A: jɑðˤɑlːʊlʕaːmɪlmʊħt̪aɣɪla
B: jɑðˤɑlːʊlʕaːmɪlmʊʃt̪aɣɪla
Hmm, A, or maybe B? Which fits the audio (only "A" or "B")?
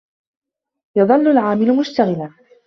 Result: B